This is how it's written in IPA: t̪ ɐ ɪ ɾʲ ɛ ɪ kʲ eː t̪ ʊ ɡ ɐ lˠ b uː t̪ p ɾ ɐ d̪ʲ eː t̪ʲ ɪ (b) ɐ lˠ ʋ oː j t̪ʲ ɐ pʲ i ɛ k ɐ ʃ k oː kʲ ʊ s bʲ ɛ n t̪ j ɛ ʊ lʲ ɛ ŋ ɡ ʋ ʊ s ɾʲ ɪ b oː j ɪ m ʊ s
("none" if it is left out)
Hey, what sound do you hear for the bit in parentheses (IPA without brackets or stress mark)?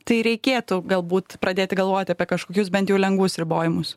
ɡ